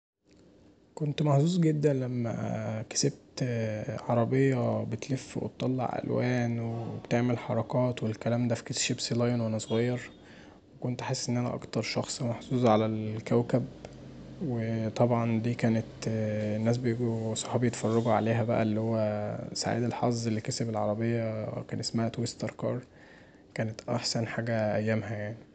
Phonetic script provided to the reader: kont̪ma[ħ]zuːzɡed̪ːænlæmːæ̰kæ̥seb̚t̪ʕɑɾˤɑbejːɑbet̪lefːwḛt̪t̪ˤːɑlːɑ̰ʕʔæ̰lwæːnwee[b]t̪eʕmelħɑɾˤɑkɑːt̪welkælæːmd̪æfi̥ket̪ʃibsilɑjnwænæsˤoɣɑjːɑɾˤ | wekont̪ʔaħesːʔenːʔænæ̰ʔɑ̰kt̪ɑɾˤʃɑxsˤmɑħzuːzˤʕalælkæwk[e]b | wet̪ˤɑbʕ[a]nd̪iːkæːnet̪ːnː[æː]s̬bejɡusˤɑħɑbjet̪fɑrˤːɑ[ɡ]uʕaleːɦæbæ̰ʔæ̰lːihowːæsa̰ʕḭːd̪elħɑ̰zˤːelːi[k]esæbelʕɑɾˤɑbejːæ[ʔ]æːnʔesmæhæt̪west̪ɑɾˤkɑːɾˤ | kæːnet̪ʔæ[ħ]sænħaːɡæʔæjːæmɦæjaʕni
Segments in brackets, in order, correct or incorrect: correct, correct, incorrect, incorrect, correct, correct, correct, incorrect, correct

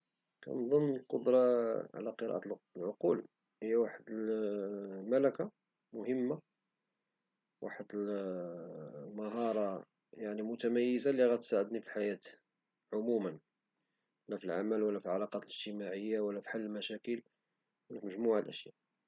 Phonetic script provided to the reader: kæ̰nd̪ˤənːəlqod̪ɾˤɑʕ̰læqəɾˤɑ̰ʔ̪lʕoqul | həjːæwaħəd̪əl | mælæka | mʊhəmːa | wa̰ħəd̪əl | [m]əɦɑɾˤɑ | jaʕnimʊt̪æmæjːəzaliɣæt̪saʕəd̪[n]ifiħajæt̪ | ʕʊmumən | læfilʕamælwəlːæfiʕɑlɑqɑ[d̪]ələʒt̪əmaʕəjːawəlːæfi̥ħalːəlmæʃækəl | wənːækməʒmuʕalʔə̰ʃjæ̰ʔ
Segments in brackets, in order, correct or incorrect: correct, correct, incorrect

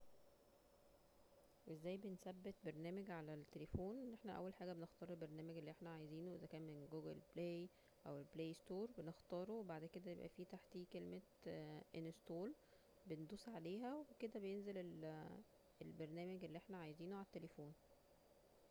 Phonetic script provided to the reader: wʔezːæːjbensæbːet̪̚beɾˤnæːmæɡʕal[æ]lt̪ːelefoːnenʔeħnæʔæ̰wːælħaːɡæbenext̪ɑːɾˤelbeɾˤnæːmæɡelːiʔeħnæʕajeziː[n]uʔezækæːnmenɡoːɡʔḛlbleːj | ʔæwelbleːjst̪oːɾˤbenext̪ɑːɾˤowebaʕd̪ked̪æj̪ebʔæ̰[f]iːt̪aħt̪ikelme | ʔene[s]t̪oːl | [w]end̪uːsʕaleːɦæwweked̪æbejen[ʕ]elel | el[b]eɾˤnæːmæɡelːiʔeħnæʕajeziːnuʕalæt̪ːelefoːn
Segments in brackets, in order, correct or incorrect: correct, correct, correct, correct, incorrect, incorrect, correct

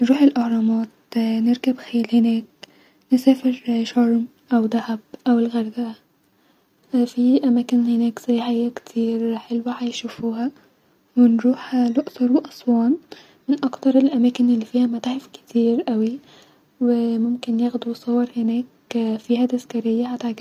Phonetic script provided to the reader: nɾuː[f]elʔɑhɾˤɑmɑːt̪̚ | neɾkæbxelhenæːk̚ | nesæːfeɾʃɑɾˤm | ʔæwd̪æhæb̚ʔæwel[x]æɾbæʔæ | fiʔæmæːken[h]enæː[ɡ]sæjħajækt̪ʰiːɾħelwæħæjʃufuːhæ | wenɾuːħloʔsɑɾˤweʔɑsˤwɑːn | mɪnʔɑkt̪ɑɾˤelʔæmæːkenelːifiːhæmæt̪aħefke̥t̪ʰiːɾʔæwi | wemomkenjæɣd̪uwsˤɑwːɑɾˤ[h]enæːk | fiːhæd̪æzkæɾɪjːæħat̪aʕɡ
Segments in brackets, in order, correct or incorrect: incorrect, incorrect, correct, incorrect, correct

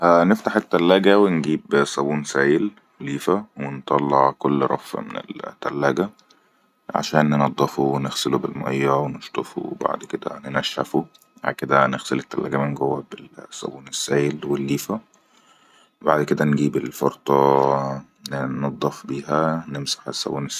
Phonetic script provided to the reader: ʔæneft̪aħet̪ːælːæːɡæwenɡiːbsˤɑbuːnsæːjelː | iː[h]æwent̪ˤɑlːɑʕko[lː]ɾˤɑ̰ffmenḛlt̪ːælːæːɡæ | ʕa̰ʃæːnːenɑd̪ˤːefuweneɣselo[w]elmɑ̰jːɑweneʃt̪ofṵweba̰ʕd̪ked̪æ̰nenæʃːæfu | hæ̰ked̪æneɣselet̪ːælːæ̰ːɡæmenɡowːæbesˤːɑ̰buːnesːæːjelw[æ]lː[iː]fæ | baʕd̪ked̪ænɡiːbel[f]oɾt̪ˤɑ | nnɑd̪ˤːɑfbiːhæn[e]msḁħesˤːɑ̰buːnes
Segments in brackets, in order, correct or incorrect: incorrect, correct, incorrect, incorrect, correct, correct, correct

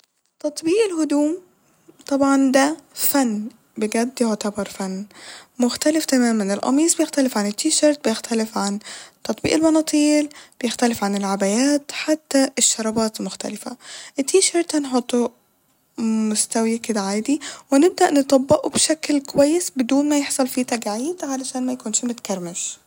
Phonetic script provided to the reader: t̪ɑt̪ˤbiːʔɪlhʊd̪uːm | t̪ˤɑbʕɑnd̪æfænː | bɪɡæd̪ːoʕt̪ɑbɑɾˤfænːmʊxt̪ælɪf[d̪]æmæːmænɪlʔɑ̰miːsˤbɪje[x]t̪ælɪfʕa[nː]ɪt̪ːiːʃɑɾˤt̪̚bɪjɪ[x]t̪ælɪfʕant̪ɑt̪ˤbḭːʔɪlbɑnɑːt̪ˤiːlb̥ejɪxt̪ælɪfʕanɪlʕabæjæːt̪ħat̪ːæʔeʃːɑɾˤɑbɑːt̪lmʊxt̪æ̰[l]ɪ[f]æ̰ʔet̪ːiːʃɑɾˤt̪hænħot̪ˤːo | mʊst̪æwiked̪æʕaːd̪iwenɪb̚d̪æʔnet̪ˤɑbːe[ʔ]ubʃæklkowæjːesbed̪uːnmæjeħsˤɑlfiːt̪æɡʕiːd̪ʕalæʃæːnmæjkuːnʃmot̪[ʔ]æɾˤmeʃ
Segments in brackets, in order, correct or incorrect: incorrect, correct, incorrect, correct, correct, correct, correct, incorrect

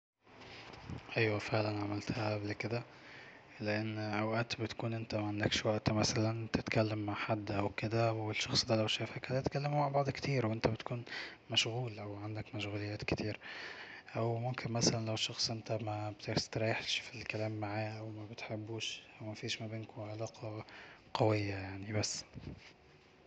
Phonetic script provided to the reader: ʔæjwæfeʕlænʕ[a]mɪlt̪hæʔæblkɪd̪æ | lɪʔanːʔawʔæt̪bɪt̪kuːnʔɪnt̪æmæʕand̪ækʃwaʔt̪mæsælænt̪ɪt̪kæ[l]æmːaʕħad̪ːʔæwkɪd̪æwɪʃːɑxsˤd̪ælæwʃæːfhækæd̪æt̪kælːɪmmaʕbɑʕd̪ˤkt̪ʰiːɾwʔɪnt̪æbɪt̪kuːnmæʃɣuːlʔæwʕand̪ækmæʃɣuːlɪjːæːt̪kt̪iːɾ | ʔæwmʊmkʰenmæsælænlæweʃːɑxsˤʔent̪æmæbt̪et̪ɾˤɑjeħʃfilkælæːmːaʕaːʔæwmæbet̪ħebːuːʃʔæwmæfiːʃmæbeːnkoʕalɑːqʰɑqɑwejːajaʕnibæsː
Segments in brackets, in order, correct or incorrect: correct, incorrect

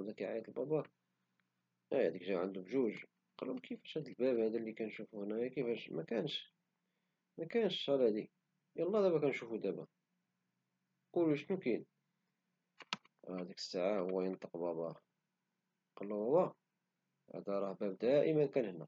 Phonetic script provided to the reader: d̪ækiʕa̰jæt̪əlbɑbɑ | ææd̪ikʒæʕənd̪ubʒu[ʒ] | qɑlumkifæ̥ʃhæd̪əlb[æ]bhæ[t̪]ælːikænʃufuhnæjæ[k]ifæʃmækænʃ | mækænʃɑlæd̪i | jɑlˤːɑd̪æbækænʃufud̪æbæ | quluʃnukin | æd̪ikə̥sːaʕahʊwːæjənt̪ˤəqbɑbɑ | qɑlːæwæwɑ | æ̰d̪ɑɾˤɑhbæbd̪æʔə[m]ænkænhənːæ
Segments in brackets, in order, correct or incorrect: correct, correct, incorrect, correct, correct

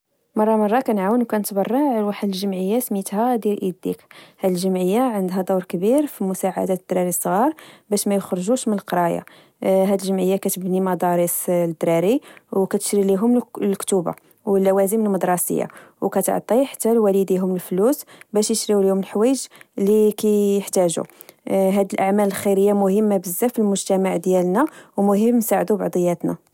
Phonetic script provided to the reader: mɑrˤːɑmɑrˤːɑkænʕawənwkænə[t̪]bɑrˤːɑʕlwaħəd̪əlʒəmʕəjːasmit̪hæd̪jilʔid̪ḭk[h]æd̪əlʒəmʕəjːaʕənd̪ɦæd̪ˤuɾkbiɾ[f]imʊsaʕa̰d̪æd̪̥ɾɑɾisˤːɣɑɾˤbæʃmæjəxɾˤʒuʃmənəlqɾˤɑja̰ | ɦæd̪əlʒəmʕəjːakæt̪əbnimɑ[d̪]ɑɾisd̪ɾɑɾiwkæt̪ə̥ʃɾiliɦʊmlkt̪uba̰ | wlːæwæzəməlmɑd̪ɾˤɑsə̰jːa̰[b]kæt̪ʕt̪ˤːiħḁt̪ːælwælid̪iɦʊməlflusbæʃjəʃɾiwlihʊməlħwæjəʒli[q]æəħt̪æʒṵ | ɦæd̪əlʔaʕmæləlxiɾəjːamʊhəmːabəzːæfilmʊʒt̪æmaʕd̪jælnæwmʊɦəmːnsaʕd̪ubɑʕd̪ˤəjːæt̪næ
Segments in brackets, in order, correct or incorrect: correct, correct, correct, correct, incorrect, incorrect

